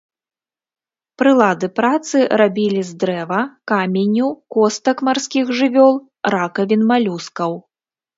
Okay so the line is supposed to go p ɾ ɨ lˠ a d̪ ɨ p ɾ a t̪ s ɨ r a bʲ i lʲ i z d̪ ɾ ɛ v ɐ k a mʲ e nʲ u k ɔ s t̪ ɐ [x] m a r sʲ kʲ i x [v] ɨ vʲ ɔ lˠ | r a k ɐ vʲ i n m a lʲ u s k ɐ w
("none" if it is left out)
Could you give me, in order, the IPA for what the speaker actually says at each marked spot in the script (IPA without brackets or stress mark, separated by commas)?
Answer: k, ʐ